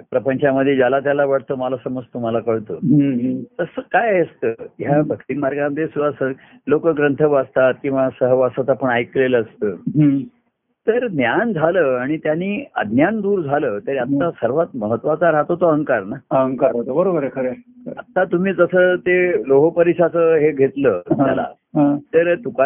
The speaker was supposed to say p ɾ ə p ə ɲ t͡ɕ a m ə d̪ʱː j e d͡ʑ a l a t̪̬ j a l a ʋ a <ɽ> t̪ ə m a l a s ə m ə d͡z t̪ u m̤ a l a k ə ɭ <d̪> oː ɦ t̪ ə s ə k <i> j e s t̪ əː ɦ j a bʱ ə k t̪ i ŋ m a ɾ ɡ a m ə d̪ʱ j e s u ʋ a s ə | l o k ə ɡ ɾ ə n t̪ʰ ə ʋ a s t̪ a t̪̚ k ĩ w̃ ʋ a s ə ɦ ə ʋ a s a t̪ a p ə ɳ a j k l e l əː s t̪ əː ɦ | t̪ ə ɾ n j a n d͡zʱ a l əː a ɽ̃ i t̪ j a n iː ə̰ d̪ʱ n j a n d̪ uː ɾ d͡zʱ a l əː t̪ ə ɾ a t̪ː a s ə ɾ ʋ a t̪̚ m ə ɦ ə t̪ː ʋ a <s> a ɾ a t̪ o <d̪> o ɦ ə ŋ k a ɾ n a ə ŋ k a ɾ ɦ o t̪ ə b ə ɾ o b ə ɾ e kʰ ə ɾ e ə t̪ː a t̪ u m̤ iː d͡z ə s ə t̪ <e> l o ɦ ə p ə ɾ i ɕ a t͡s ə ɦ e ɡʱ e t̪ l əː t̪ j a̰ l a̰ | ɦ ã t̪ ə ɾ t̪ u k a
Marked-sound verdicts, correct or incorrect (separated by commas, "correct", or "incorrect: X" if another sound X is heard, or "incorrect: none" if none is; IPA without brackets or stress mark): correct, incorrect: t̪, incorrect: a, incorrect: t͡s, incorrect: t̪, correct